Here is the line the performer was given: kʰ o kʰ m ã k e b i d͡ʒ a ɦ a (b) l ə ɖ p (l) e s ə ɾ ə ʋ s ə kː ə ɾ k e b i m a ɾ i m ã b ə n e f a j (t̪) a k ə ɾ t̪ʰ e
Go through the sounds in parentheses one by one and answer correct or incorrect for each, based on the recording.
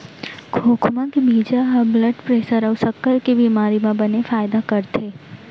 correct, incorrect, incorrect

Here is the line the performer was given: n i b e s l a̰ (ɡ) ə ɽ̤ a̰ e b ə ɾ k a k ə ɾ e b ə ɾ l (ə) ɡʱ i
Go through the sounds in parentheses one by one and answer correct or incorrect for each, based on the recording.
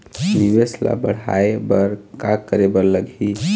incorrect, correct

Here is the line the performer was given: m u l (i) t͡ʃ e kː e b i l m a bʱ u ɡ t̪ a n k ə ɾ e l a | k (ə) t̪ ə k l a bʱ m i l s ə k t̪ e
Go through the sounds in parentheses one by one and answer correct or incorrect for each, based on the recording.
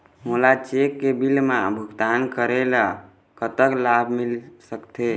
incorrect, correct

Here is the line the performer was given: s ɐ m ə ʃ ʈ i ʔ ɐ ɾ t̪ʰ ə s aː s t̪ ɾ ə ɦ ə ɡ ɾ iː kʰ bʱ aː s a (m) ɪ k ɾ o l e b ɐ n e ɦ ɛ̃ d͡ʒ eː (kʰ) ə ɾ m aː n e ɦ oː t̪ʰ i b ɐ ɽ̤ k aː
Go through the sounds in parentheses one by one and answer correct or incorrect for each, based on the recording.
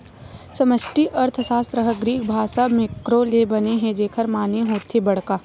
correct, correct

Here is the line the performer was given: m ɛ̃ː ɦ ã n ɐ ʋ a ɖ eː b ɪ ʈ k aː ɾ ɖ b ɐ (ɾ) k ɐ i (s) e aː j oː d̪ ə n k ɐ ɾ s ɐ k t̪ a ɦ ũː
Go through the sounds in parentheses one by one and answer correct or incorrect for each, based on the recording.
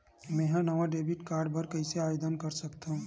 correct, correct

